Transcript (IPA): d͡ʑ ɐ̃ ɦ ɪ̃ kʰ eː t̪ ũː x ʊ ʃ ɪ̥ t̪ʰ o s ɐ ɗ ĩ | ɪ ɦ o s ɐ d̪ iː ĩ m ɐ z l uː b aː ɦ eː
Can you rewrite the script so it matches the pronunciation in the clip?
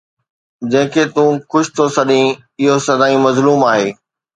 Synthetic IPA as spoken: d͡ʑ ɐ̃ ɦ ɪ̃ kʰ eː t̪ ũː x ʊ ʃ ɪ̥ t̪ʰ o s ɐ ɗ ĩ | ɪ ɦ o s ɐ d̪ aː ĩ m ɐ z l uː m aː ɦ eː